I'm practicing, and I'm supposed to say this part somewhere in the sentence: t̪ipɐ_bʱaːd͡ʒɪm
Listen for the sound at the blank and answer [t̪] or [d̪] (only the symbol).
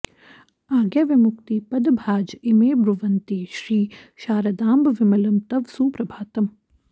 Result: d̪